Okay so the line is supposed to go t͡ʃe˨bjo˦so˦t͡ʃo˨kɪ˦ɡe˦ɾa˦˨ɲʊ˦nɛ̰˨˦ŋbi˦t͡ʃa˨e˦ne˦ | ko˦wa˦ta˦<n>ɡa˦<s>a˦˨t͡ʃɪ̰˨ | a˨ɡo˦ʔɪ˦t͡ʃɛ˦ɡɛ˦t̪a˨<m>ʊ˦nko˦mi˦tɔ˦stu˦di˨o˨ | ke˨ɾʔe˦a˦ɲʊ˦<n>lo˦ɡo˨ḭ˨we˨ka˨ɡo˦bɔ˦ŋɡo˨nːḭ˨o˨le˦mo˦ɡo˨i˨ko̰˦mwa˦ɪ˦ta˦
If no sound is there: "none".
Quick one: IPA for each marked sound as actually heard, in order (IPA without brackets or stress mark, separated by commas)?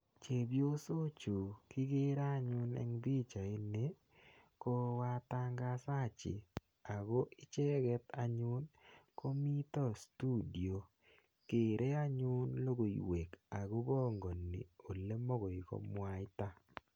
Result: ŋ, s, ɲ, n